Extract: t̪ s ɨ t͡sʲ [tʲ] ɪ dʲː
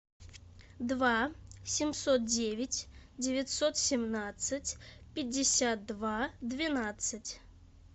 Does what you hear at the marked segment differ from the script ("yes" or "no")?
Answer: yes